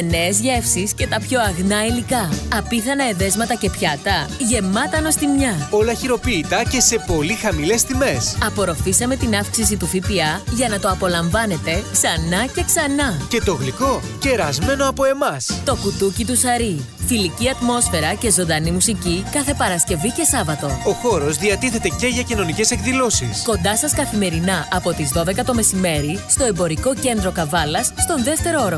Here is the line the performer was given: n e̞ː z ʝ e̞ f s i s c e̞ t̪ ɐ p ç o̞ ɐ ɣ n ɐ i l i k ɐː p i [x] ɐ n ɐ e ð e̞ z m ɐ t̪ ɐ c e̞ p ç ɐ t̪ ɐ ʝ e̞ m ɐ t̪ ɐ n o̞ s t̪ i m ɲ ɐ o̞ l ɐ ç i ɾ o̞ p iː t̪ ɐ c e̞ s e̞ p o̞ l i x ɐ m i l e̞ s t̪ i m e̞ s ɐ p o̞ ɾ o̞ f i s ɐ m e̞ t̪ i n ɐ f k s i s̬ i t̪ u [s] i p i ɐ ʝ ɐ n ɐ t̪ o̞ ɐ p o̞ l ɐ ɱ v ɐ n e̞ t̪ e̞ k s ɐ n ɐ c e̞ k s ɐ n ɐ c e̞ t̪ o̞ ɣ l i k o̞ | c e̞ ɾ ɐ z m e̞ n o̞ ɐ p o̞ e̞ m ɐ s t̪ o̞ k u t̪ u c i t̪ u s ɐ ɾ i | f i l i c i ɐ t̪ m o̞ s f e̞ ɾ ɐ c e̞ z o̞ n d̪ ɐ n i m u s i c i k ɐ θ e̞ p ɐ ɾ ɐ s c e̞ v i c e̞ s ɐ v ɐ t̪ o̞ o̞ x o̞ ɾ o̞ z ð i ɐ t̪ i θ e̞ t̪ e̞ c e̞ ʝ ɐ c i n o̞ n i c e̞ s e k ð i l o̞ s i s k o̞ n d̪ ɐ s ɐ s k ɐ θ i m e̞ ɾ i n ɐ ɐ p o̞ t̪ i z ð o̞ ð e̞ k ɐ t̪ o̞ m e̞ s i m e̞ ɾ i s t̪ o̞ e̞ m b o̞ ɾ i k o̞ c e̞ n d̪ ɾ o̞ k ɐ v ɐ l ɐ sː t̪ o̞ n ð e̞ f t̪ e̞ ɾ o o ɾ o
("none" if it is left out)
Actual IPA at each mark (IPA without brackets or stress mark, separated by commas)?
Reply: θ, f